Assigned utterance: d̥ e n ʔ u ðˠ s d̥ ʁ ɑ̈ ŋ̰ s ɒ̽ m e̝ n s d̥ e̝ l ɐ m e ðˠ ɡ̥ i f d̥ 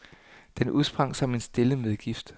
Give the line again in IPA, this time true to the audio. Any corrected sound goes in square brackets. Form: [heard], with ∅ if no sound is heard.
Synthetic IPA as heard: d̥ e n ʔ u ðˠ s [b̥] ʁ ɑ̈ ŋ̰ s ɒ̽ m e̝ n s d̥ e̝ l [ə] m e ðˠ ɡ̥ i f d̥